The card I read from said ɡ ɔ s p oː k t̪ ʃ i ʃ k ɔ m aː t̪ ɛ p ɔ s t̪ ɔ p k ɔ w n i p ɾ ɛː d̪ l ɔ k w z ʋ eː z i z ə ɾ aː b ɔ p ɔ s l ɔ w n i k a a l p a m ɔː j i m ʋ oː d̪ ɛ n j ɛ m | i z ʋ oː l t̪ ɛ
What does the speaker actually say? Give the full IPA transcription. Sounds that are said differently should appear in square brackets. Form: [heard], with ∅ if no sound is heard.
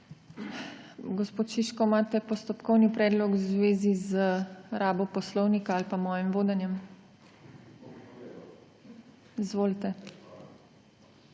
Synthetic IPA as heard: ɡ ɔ s p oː [∅] t̪ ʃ i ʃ k ɔ m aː t̪ ɛ p ɔ s t̪ ɔ p k ɔ w n i p ɾ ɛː d̪ l ɔ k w z ʋ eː z i z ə ɾ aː b ɔ p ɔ s l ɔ w n i k a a l p a m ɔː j i m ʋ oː d̪ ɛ n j ɛ m | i z ʋ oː l t̪ ɛ

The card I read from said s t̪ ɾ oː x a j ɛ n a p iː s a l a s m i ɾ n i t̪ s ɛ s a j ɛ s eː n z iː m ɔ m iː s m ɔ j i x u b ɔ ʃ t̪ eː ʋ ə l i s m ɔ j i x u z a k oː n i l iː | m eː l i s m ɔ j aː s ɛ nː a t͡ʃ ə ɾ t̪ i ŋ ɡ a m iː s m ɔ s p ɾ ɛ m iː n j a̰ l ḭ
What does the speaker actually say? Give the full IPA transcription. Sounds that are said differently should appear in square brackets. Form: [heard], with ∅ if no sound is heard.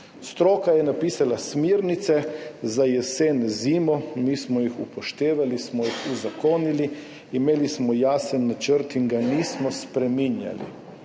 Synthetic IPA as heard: s t̪ ɾ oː [k] a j ɛ n a p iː s a l a s m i ɾ n i t̪ s ɛ [z] a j ɛ s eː n z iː m ɔ m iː s m ɔ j i x u [p] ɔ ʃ t̪ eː ʋ [a] l i s m ɔ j i x u z a k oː n i l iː | m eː l i s m ɔ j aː s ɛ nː a t͡ʃ ə ɾ t̪ i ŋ ɡ a [n] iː s m ɔ s p ɾ ɛ m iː n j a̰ l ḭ

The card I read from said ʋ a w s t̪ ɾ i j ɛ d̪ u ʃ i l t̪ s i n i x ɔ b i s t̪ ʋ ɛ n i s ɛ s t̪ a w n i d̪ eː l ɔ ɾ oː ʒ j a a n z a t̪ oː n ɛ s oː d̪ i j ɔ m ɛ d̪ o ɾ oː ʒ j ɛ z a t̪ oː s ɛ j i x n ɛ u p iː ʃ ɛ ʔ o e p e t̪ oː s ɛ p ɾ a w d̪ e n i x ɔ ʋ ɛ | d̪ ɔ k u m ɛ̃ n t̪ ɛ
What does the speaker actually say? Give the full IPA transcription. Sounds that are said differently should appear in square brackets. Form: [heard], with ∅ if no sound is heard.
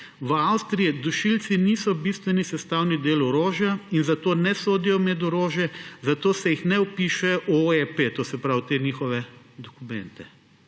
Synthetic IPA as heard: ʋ a w s t̪ ɾ i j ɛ d̪ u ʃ i l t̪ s i n i [s] ɔ b i s t̪ ʋ ɛ n i s ɛ s t̪ a w n i d̪ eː l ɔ ɾ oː ʒ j a [i] n z a t̪ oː n ɛ s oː d̪ i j ɔ m ɛ d̪ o ɾ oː ʒ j ɛ z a t̪ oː s ɛ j i x n ɛ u p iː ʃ ɛ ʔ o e p e t̪ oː s ɛ p ɾ a w [t̪] e n i x ɔ ʋ ɛ | d̪ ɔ k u m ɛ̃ n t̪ ɛ

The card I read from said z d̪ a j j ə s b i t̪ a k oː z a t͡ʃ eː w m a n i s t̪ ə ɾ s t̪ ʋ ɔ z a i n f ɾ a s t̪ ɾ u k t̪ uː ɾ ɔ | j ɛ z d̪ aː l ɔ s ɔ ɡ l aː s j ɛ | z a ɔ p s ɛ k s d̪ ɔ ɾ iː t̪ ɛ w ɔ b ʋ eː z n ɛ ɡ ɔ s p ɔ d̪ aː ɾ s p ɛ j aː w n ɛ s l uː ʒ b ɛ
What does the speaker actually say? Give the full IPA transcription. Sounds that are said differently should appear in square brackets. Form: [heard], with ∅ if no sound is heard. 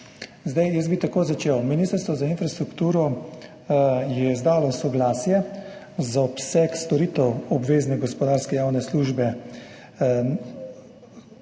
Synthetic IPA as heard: z d̪ a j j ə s b i t̪ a k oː z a t͡ʃ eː w m [i] n i s t̪ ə ɾ s t̪ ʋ ɔ z a i n f ɾ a s t̪ ɾ u k t̪ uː ɾ ɔ | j ɛ z d̪ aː l ɔ s ɔ ɡ l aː s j ɛ | z a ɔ p s ɛ k s [t̪] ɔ ɾ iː t̪ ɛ w ɔ b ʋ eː z n ɛ ɡ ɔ s p ɔ d̪ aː ɾ s [k] ɛ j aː w n ɛ s l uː ʒ b ɛ

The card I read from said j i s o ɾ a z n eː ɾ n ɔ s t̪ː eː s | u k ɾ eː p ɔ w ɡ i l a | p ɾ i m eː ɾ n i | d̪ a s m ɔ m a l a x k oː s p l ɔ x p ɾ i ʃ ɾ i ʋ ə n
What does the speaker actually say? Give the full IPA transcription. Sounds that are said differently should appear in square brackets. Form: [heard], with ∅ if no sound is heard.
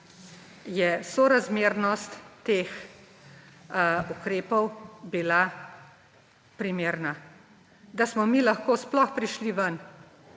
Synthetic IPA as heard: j [ɛ] s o ɾ a z [m] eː ɾ n ɔ s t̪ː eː [x] | u k ɾ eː p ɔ w [b] i l a | p ɾ i m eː ɾ n [a] | d̪ a s m ɔ m [i] l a x k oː s p l ɔ x p ɾ i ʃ [l] i ʋ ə n

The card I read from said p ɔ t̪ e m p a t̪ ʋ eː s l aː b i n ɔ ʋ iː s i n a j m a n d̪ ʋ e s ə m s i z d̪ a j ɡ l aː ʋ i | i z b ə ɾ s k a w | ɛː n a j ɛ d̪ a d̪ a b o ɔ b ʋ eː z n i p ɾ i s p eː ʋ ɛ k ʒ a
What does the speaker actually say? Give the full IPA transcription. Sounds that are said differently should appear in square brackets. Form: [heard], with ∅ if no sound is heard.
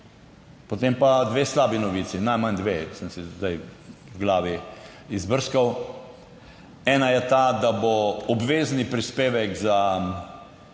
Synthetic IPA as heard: p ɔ t̪ e m p a [d̪] ʋ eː s l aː b i n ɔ ʋ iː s i n a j m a n d̪ ʋ e s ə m s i z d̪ a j ɡ l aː ʋ i | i z b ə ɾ s k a w | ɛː n a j ɛ [t̪] a d̪ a b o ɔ b ʋ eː z n i p ɾ i s p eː ʋ ɛ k [z] a

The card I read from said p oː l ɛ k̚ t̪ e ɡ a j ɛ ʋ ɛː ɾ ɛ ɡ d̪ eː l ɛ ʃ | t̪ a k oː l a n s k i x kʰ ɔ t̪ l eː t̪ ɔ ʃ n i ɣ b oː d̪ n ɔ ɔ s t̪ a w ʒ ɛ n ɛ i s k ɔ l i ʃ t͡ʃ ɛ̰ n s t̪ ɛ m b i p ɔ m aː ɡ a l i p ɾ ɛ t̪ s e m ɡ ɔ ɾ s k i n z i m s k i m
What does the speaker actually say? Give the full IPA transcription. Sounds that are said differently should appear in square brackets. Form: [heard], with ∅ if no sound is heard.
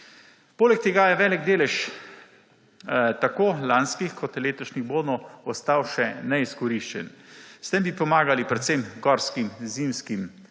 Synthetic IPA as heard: p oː l ɛ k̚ t̪ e ɡ a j ɛ ʋ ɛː [l] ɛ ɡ d̪ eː l ɛ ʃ | t̪ a k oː l a n s k i x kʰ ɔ t̪ l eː t̪ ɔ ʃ n i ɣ b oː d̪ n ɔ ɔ s t̪ a w [ʃ] ɛ n ɛ i s k ɔ [ɾ] i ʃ t͡ʃ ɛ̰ n s t̪ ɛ m b i p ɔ m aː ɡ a l i p ɾ ɛ t̪ s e m ɡ ɔ ɾ s k i [m] z i m s k i m

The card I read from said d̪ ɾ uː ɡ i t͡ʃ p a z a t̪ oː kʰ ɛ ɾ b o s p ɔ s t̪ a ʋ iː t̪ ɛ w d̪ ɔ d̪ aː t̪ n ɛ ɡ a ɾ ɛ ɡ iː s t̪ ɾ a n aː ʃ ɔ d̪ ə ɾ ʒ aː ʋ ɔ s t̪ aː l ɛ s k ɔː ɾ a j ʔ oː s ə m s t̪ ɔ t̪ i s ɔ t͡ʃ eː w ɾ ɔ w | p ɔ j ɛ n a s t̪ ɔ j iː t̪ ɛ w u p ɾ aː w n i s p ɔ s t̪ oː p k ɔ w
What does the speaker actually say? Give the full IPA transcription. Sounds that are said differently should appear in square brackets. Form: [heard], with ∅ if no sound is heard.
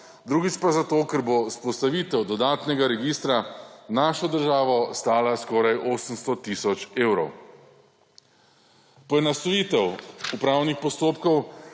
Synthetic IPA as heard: d̪ ɾ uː ɡ i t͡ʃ p a z a t̪ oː [k] ɛ ɾ b o s p ɔ s t̪ a ʋ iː t̪ ɛ w d̪ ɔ d̪ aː t̪ n ɛ ɡ a ɾ ɛ ɡ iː s t̪ ɾ a n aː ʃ ɔ d̪ ə ɾ ʒ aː ʋ ɔ s t̪ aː l [a] s k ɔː ɾ a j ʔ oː s ə m s t̪ ɔ t̪ i s ɔ t͡ʃ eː w ɾ ɔ w | p ɔ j ɛ n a s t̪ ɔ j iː t̪ ɛ w u p ɾ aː w n i [x] p ɔ s t̪ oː p k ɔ w

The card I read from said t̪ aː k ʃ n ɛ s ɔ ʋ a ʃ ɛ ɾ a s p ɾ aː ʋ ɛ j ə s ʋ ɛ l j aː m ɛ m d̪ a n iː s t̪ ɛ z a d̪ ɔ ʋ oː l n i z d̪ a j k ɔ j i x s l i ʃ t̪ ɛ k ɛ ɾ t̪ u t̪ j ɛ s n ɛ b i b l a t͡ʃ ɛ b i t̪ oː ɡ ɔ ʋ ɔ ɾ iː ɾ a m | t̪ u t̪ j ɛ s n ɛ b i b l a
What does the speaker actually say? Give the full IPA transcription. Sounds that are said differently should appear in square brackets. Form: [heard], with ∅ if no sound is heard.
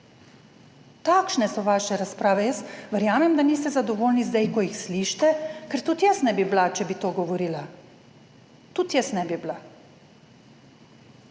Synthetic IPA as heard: t̪ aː k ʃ n ɛ s ɔ ʋ a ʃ ɛ ɾ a s p ɾ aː ʋ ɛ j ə s ʋ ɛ [ɾ] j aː m ɛ m d̪ a n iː s t̪ ɛ z a d̪ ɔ ʋ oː l n i z d̪ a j k ɔ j i x s l i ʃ t̪ ɛ k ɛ ɾ t̪ u t̪ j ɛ s n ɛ b i b l a t͡ʃ ɛ b i t̪ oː ɡ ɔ ʋ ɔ ɾ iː [l] a [∅] | t̪ u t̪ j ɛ s n ɛ b i b l a

